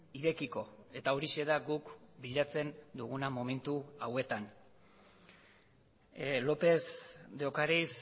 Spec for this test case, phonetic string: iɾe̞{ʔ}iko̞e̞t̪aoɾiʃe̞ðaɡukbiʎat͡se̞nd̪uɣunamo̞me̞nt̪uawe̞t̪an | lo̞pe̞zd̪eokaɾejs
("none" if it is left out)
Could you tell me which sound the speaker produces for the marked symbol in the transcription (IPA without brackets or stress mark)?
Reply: k